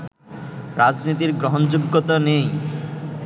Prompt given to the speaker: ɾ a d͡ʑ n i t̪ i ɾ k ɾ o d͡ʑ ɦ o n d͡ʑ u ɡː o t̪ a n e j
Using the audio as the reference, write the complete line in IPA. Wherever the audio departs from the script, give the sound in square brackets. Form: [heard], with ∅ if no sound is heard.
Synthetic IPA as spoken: ɾ a d͡ʑ n i t̪ i ɾ [ɡ] ɾ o [∅] ɦ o n d͡ʑ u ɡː o t̪ a n e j